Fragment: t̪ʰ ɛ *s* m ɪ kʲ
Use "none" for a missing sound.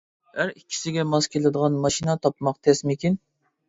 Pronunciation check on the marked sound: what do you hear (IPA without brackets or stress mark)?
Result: s